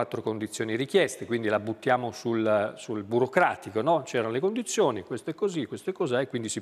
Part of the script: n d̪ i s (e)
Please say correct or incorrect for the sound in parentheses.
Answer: incorrect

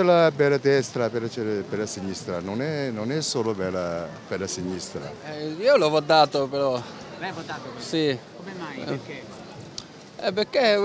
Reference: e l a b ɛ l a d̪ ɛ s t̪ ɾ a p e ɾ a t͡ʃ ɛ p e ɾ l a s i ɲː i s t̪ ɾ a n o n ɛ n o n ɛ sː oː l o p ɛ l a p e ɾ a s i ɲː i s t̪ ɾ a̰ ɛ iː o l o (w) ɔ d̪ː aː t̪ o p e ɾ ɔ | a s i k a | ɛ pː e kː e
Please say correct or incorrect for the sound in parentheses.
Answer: incorrect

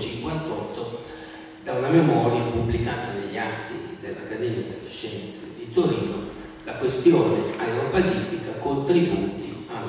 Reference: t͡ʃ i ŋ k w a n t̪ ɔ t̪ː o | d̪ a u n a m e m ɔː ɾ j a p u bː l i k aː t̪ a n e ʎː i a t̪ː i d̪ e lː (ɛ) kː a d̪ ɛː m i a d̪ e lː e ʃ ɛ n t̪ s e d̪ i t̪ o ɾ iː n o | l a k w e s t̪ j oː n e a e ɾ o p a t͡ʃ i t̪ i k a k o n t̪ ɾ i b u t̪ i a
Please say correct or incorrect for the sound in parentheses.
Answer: incorrect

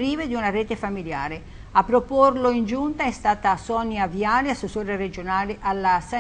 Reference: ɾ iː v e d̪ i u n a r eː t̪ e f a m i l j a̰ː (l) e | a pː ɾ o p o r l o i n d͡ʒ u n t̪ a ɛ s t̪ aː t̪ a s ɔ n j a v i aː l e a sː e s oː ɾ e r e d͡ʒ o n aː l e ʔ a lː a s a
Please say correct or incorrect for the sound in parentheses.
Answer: incorrect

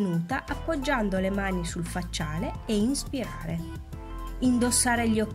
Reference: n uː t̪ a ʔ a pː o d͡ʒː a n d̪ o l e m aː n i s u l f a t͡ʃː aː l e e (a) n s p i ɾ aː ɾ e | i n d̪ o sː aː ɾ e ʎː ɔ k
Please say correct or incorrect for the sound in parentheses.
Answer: incorrect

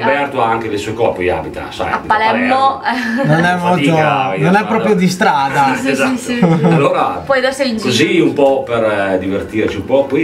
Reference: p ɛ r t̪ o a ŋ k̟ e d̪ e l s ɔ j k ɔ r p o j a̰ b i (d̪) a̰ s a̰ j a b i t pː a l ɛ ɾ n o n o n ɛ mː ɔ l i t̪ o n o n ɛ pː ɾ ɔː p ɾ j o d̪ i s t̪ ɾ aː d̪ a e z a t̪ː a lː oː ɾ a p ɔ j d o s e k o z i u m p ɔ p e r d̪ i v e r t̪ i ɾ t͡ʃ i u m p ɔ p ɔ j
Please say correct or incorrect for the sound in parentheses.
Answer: incorrect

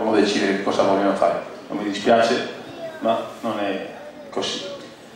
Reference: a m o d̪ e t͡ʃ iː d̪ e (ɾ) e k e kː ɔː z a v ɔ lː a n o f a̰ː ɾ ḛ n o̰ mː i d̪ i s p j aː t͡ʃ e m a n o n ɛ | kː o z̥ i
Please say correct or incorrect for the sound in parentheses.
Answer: correct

